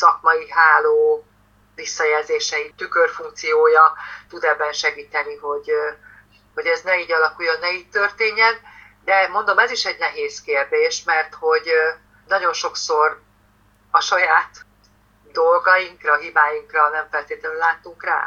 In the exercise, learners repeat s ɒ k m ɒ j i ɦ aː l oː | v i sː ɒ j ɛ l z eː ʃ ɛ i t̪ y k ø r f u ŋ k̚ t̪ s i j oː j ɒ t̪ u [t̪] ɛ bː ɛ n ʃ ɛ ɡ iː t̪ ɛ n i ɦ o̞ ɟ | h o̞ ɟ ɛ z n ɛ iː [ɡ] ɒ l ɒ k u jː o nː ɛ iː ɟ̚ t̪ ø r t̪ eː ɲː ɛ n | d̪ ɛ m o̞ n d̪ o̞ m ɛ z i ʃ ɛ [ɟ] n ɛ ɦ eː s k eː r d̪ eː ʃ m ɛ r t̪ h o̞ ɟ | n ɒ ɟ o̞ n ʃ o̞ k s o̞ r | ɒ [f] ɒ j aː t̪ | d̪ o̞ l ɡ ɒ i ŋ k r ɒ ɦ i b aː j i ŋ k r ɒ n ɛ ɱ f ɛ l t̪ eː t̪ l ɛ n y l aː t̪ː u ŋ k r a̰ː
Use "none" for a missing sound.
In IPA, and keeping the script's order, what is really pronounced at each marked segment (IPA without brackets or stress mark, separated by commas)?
d̪, ɟ, ɟ, ʃ